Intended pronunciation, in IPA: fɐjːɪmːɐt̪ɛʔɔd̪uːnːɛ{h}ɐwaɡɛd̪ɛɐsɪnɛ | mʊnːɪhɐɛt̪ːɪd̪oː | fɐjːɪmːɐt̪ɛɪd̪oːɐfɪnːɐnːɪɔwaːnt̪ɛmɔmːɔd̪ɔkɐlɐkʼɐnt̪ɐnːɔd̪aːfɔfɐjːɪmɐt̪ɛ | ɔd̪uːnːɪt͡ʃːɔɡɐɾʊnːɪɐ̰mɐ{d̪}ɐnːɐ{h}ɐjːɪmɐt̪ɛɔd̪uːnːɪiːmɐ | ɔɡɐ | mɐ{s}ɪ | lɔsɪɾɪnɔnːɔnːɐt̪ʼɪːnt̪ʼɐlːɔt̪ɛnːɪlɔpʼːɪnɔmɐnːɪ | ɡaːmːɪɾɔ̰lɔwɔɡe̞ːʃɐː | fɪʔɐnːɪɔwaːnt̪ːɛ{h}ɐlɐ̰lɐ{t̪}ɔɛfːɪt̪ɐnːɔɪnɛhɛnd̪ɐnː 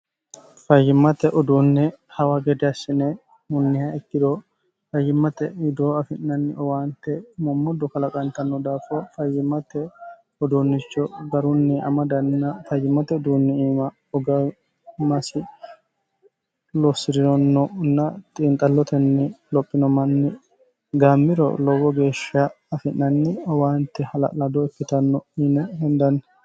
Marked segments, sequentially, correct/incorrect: correct, correct, incorrect: f, correct, correct, incorrect: d̪

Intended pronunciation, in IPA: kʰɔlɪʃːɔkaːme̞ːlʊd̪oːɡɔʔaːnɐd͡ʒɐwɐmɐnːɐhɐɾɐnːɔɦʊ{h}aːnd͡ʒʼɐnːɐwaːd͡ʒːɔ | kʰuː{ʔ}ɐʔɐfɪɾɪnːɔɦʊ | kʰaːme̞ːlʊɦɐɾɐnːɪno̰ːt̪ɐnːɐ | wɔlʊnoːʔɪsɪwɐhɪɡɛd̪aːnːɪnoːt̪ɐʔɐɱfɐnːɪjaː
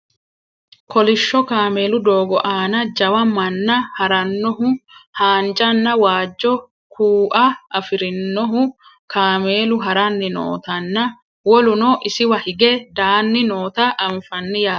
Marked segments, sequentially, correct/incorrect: correct, correct

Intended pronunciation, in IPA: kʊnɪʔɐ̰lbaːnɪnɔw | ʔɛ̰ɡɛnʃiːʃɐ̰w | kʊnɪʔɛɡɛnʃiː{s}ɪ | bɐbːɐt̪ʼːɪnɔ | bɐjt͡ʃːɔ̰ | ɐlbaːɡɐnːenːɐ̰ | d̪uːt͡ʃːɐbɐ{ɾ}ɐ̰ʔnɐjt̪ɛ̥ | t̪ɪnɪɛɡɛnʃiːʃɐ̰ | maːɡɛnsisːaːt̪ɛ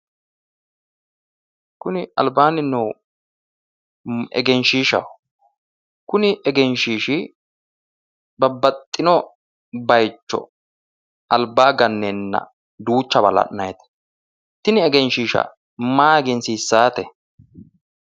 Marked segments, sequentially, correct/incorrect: incorrect: ʃ, incorrect: l

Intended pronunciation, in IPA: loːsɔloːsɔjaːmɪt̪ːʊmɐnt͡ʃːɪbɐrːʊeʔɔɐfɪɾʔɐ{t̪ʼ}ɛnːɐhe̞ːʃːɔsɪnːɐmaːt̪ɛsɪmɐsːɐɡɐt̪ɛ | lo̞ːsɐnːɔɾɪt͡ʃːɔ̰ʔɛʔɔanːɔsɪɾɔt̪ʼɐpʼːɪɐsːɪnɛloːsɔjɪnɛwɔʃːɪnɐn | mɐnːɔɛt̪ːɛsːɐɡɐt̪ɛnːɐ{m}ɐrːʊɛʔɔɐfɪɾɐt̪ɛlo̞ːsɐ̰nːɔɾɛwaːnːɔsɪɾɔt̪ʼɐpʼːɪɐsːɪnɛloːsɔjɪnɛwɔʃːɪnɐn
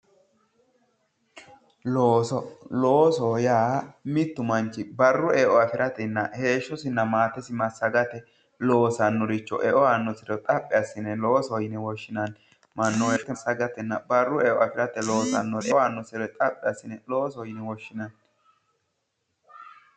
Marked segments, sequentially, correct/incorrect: incorrect: t̪, incorrect: b

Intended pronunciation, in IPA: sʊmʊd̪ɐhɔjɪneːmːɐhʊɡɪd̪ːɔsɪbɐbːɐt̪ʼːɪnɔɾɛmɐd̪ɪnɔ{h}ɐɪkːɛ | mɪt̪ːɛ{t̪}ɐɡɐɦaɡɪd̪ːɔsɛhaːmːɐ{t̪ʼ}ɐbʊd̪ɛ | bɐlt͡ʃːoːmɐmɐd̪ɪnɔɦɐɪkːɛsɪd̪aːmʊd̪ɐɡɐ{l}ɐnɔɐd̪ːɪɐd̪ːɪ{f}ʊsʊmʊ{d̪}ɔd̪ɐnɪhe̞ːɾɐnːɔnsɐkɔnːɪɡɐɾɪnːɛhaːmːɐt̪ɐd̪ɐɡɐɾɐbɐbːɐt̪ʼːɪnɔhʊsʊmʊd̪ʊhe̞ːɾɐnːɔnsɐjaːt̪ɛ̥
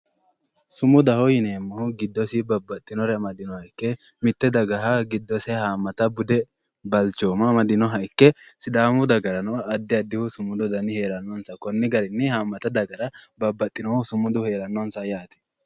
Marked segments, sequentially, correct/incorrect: correct, incorrect: d̪, incorrect: t̪, incorrect: ɾ, incorrect: h, correct

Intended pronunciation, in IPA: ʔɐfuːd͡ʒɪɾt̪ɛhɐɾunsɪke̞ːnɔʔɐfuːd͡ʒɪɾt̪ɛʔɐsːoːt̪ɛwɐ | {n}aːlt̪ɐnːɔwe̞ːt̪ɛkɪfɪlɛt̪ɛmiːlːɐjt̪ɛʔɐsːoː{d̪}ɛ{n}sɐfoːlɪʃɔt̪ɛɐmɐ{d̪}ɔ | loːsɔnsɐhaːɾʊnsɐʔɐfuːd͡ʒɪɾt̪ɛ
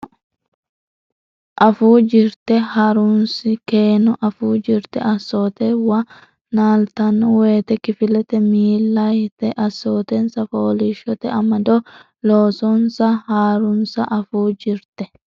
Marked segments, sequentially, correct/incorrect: correct, incorrect: t̪, correct, correct

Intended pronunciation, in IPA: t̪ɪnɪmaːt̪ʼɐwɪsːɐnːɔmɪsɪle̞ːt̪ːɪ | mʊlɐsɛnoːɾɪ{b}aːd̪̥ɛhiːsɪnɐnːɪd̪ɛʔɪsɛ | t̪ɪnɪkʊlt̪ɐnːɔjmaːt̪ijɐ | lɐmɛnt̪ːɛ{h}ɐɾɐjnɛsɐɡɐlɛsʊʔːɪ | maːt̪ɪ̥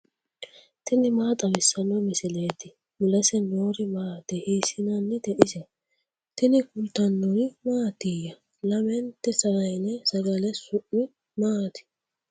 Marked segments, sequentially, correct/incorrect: incorrect: m, incorrect: s

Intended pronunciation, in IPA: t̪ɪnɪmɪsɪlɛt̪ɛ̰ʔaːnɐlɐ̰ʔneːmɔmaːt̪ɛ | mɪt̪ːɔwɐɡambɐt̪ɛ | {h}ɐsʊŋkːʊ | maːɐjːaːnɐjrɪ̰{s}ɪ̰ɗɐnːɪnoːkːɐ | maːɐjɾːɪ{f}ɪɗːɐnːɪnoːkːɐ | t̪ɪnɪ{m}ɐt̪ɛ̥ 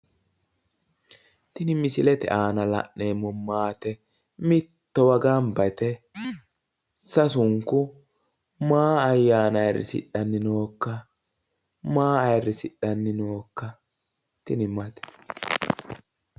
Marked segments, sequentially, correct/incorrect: incorrect: s, correct, incorrect: s, correct

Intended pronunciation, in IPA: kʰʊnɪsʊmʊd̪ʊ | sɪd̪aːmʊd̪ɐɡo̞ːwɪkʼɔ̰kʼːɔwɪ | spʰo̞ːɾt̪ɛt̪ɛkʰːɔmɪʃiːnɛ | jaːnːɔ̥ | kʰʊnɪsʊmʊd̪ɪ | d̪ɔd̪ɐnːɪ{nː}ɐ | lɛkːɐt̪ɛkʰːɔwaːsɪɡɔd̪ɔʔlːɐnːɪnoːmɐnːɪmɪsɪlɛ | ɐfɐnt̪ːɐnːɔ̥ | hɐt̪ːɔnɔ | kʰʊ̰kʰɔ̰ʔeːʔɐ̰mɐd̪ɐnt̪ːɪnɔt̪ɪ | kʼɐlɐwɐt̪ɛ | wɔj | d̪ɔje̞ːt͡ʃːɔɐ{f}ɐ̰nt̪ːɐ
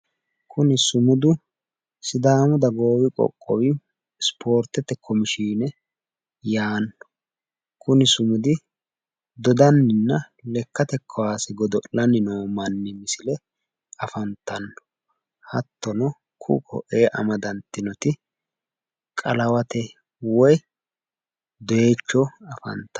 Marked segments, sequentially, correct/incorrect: correct, correct

